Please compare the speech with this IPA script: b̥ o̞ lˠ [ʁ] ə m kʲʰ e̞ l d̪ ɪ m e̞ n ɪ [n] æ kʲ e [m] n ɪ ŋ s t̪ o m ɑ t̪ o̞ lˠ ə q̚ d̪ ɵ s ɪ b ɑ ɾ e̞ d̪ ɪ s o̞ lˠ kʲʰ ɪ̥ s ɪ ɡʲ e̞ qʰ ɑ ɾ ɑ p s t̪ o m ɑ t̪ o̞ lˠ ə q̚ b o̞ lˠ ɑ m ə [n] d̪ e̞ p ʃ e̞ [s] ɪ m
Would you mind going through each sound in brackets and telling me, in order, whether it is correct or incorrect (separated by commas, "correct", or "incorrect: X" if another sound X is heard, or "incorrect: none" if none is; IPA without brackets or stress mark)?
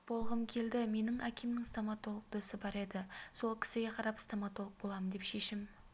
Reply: correct, incorrect: ŋ, correct, correct, incorrect: ʃ